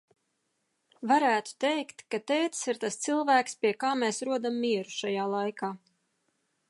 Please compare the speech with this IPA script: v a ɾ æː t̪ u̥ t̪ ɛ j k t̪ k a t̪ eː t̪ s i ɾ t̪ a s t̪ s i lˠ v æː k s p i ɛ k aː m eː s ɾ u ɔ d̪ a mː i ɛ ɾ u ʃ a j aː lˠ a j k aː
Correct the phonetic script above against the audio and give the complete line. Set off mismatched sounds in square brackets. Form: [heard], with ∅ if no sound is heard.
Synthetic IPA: v a ɾ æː t̪ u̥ t̪ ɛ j k t̪ k a t̪ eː t̪ s i ɾ t̪ a s t̪ s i lˠ v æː k s p i ɛ k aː m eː s ɾ u ɔ d̪ a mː i ɛ ɾ u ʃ a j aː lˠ a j k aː